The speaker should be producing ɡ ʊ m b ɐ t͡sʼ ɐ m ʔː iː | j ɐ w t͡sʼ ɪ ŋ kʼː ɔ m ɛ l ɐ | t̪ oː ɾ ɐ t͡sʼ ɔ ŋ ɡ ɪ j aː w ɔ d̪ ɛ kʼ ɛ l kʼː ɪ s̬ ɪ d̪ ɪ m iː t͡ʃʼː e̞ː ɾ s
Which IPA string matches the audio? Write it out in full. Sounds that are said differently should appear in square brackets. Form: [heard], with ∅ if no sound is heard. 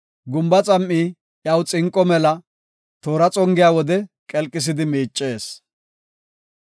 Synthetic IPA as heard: ɡ ʊ m b ɐ t͡sʼ ɐ m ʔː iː | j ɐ w t͡sʼ ɪ ŋ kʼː ɔ m ɛ l ɐ | t̪ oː ɾ ɐ t͡sʼ ɔ ŋ ɡ ɪ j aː w ɔ d̪ ɛ kʼ ɛ l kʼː ɪ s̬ ɪ d̪ ɪ m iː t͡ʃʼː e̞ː [∅] s